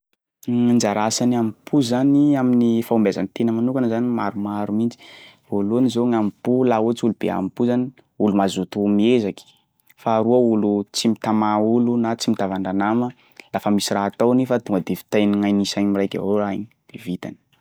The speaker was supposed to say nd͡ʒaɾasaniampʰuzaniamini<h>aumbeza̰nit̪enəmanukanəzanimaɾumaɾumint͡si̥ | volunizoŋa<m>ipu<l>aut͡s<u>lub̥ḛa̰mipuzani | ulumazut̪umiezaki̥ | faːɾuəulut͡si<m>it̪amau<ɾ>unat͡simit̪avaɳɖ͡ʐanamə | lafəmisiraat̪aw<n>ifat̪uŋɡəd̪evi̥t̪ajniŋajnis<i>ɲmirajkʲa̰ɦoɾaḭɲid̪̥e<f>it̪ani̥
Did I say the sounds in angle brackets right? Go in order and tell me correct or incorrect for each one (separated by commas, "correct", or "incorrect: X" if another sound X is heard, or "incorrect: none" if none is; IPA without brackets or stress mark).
incorrect: f, correct, correct, correct, correct, incorrect: l, correct, incorrect: a, incorrect: v